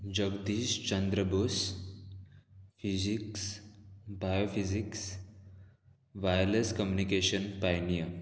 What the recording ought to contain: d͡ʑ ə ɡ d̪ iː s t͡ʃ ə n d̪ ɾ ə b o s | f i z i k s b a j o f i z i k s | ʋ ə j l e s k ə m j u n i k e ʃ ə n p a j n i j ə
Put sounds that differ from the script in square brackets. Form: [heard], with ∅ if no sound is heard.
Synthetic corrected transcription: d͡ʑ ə ɡ d̪ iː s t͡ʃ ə n d̪ ɾ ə b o s | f i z i k s b a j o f i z i k s | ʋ [a] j l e s k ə m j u n i k e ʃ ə n p a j n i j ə